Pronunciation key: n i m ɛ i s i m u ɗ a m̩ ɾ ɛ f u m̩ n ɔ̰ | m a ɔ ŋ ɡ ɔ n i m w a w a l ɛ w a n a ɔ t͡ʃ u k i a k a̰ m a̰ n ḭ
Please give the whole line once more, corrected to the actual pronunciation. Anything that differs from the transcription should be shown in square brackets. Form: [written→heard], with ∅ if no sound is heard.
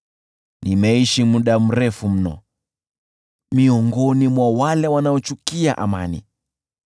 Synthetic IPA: n i m ɛ i [s→ʃ] i m u ɗ a m̩ ɾ ɛ f u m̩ n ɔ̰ | m [a→i] ɔ ŋ ɡ ɔ n i m w a w a l ɛ w a n a ɔ t͡ʃ u k i a [k→ʔ] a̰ m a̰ n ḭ